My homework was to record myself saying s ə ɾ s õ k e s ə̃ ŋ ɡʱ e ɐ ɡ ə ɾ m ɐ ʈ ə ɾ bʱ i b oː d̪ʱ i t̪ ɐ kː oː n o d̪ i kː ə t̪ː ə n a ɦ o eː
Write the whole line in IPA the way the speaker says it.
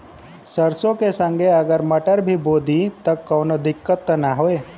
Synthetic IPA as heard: s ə ɾ s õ k e s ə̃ ŋ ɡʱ e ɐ ɡ ə ɾ m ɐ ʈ ə ɾ bʱ i b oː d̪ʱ i t̪ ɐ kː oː n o d̪ ɪ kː ə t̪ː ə n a ɦ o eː